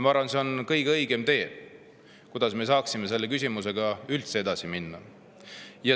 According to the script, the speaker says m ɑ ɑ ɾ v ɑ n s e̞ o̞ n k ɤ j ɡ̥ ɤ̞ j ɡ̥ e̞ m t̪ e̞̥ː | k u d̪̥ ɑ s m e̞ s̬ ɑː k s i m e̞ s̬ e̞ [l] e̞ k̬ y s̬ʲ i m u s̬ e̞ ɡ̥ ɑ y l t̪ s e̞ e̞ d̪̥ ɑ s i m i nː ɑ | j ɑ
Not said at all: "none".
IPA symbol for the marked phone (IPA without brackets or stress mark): lː